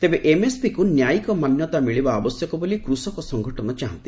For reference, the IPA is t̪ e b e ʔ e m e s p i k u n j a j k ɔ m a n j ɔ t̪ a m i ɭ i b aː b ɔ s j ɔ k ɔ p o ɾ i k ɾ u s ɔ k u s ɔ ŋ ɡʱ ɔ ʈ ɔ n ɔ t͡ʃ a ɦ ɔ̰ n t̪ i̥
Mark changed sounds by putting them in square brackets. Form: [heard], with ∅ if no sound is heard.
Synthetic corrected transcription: t̪ e b e ʔ e m e s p i k u n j a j k ɔ m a n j ɔ t̪ a m i ɭ i b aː b ɔ s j ɔ k ɔ [b] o [l] i k ɾ u s ɔ k [ɔ] s ɔ ŋ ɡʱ ɔ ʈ ɔ n ɔ t͡ʃ a ɦ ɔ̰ n t̪ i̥